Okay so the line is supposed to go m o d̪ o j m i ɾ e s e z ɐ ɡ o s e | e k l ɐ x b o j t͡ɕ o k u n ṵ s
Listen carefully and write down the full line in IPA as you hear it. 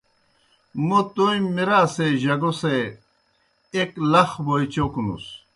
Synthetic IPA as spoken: m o t̪ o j m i ɾ a s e ʑ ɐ ɡ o s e | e k l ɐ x b o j t͡ɕ o k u n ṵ s